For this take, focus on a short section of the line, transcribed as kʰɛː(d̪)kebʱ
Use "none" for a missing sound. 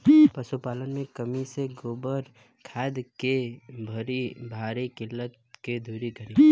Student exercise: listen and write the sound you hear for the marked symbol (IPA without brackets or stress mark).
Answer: d̪